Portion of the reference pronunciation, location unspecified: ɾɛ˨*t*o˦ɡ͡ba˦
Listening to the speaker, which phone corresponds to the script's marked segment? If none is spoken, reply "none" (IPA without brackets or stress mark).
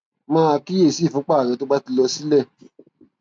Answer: t